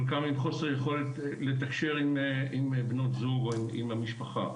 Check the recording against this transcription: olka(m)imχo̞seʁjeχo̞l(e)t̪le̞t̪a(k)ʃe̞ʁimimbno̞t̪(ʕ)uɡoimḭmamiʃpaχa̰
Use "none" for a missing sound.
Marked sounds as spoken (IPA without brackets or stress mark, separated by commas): m, e, k, z